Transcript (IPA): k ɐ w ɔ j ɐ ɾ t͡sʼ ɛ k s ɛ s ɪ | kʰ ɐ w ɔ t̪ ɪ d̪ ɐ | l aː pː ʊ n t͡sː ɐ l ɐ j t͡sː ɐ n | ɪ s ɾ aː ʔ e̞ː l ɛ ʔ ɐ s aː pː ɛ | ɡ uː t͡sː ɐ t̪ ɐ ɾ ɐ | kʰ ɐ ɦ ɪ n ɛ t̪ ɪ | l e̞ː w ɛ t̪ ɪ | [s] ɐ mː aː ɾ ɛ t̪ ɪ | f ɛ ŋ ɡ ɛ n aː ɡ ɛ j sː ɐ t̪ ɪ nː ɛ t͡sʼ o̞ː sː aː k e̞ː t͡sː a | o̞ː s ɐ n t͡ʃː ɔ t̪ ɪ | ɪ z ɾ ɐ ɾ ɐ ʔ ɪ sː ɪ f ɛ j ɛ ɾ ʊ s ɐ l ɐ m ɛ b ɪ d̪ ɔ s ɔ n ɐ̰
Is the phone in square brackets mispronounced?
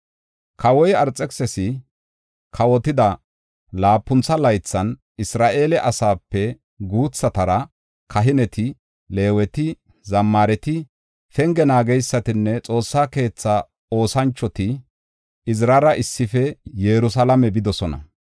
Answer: yes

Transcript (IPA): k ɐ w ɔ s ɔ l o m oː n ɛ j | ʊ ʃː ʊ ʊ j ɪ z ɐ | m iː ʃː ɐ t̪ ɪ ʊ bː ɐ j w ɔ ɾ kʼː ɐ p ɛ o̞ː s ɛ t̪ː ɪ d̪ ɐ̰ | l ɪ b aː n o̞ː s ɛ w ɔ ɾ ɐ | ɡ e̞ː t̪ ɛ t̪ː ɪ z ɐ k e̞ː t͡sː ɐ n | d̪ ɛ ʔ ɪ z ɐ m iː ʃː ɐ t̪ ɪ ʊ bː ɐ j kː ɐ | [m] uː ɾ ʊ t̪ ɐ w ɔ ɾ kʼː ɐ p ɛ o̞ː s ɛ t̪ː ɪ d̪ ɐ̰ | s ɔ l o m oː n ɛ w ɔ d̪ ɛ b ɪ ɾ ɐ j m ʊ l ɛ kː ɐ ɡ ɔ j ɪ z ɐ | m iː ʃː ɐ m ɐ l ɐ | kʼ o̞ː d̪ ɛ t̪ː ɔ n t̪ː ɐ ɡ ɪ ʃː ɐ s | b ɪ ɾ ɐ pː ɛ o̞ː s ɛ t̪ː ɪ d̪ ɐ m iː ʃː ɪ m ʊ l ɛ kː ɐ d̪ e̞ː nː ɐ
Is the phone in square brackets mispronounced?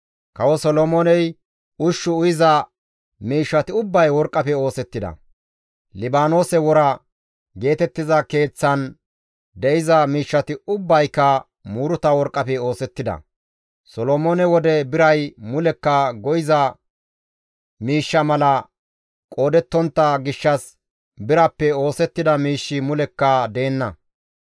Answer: no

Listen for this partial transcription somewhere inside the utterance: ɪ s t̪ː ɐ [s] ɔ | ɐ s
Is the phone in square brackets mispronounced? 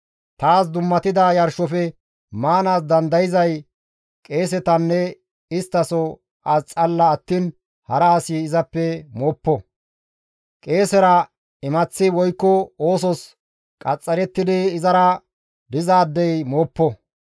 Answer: no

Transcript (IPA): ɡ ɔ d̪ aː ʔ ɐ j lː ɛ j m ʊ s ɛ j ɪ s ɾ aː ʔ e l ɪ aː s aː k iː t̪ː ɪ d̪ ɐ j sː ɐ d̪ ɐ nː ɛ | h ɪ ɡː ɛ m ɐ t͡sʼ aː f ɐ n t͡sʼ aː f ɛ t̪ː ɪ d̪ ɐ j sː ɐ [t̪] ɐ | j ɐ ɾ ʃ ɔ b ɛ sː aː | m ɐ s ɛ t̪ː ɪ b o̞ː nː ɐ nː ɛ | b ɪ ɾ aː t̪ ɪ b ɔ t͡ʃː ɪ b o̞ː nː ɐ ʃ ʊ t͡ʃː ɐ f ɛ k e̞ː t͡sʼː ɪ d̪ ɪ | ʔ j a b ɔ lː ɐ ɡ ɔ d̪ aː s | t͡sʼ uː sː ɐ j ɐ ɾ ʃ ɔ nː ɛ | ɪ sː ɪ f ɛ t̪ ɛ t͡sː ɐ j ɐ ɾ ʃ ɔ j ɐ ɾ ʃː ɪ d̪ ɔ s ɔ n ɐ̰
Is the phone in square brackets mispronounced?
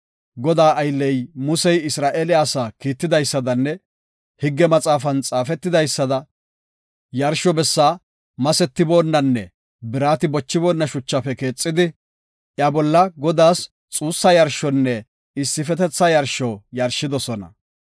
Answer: yes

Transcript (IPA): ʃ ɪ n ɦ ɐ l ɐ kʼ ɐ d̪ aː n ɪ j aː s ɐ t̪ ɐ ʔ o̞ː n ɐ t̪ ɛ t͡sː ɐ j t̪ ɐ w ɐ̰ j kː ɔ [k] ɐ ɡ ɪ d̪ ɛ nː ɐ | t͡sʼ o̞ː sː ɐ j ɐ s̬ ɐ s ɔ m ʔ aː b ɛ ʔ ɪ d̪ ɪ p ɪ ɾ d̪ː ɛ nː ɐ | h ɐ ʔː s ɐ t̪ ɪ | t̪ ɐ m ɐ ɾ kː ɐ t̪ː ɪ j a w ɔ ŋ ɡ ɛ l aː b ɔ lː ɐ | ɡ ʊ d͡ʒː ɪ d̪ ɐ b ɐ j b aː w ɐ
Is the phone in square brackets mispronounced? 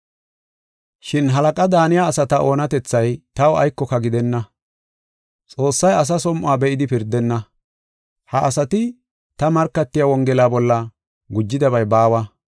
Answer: no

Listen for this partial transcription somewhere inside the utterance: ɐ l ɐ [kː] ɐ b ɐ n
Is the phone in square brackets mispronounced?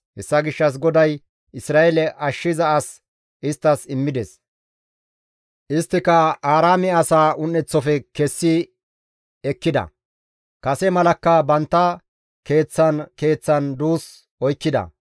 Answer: no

